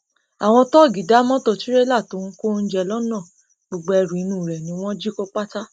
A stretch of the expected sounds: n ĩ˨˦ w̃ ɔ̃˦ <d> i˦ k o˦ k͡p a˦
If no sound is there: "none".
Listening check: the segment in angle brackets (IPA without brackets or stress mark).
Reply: d͡ʒ